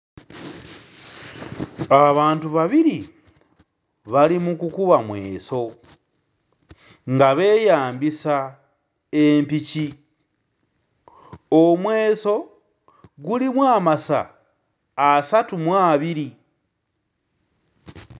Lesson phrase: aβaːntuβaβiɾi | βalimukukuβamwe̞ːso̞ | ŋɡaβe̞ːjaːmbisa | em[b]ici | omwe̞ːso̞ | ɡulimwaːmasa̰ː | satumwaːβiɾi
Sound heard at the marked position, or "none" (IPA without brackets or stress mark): p